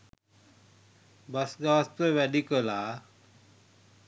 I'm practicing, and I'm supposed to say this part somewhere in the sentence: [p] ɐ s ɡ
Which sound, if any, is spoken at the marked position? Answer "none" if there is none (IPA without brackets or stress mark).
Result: b